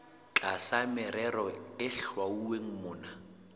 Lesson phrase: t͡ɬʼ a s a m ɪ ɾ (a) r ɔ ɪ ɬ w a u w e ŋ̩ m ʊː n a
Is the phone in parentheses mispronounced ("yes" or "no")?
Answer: yes